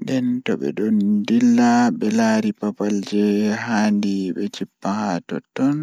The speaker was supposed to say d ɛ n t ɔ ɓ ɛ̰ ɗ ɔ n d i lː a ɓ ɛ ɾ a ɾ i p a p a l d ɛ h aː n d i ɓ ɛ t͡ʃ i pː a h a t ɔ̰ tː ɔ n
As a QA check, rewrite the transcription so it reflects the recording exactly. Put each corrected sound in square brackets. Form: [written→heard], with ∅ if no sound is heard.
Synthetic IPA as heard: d ɛ n t ɔ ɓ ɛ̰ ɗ ɔ n d i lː a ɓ ɛ [ɾ→l] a ɾ i p a p a l [d→d͡ʒ] ɛ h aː n d i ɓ ɛ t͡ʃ i pː a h a t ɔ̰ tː ɔ n